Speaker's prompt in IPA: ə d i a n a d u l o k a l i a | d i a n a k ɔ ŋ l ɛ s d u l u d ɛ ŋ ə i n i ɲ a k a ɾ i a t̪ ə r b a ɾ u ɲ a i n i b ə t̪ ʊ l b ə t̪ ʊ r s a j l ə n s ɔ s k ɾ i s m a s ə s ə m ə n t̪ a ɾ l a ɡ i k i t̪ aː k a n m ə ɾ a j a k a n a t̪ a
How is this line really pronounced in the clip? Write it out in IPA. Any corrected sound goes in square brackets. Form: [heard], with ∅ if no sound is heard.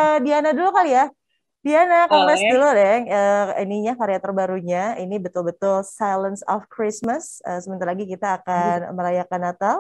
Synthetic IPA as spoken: ə d i a n a d u l [u] k a l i a | d i a n a k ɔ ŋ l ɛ s d u l u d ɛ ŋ ə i n i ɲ a k a ɾ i a t̪ ə r b a ɾ u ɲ a i n i b ə t̪ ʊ l b ə t̪ ʊ [l] s a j l ə n s ɔ [f] k ɾ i s m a s ə s ə m ə n t̪ a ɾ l a ɡ i k i t̪ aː k a n m ə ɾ a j a k a n a t̪ a